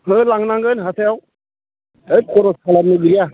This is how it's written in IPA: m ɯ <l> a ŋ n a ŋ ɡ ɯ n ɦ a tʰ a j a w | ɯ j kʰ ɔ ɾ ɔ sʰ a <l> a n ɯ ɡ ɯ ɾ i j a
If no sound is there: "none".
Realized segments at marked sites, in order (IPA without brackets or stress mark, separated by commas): l, l